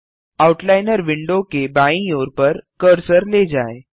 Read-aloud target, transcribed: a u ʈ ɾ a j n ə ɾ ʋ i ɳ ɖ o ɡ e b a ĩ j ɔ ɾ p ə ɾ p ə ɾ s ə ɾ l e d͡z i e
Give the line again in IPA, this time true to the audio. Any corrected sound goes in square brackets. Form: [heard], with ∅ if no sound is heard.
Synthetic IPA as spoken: a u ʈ [l] a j n ə ɾ ʋ i ɳ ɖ o [k] e b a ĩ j [o] ɾ p ə ɾ [k] ə ɾ s ə ɾ l e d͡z [a] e